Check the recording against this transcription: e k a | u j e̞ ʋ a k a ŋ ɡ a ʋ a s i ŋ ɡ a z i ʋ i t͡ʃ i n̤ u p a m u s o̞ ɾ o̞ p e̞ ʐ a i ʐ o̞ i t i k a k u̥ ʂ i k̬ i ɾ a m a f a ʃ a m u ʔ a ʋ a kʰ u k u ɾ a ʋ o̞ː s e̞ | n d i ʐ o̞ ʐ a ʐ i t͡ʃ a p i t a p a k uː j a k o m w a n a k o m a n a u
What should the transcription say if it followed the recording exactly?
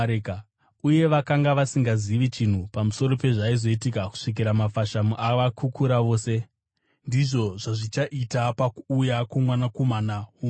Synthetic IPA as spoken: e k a | u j e̞ ʋ a k a ŋ ɡ a ʋ a s i ŋ ɡ a z i ʋ i t͡ʃ i n̤ u p a m u s o̞ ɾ o̞ p e̞ ʐ a i z o̞ i t i k a k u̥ ʂ i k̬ i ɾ a m a f a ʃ a m u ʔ a ʋ a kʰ u k u ɾ a ʋ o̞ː s e̞ | n d i ʐ o̞ ʐ a ʐ i t͡ʃ a ʔ i t a p a k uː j a k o m w a n a k o m a n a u